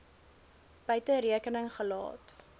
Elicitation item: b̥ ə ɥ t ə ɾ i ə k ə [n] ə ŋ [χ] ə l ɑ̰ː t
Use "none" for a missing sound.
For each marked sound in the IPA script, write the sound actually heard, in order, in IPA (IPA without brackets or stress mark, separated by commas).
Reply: n, χ